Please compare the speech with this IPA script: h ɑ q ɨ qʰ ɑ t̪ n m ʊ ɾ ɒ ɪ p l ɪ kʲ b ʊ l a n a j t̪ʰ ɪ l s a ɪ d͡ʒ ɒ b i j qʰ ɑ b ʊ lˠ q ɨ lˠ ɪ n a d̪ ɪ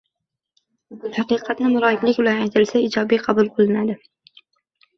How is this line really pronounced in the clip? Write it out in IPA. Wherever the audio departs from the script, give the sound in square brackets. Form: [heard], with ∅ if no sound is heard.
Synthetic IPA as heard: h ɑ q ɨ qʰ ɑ t̪ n m ʊ ɾ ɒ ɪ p l ɪ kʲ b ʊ l a n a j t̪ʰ ɪ l s a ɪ d͡ʒ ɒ b i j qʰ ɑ b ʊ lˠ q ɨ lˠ ɪ n a d̪ ɪ